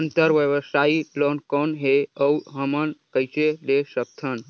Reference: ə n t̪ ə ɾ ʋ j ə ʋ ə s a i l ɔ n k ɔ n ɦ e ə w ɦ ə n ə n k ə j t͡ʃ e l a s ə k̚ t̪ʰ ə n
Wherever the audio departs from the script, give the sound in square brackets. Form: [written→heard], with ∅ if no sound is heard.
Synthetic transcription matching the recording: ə n t̪ ə ɾ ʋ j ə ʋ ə s a i l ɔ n k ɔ n ɦ e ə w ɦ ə [n→m] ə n k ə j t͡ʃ e l [a→e] s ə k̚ t̪ʰ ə n